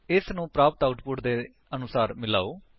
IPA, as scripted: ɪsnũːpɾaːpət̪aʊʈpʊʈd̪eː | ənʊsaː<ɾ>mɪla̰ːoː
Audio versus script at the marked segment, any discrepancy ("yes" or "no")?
no